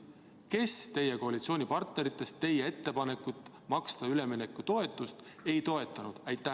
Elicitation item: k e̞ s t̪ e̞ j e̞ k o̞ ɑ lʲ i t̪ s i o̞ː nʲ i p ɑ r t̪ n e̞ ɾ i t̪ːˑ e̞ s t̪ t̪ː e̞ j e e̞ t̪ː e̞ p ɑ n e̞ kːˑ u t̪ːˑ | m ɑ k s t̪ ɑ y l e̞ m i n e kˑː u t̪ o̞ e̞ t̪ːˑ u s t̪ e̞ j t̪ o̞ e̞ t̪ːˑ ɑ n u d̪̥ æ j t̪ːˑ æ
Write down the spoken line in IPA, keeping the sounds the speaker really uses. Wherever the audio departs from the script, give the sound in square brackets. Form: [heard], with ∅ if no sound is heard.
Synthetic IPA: k e̞ s t̪ e̞ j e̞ k o̞ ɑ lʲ i t̪ s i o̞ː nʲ i p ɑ r t̪ n e̞ ɾ i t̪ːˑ e̞ s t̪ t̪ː e̞ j e e̞ t̪ː e̞ p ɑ n e̞ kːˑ u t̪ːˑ | m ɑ k s t̪ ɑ y l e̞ m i n e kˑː u t̪ o̞ e̞ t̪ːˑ u s t̪ e̞ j t̪ o̞ e̞ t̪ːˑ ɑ n u d̪̥ æ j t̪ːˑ æ